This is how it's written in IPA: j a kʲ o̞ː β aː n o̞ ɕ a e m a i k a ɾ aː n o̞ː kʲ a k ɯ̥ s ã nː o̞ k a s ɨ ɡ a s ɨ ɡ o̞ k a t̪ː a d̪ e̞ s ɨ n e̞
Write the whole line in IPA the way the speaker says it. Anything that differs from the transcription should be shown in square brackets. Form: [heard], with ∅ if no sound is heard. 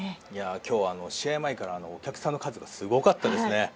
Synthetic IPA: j a kʲ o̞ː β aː n o̞ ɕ [i] e m a i k a ɾ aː n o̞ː kʲ a k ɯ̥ s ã nː o̞ k a [z] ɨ ɡ a s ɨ ɡ o̞ k a t̪ː a d̪ e̞ s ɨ n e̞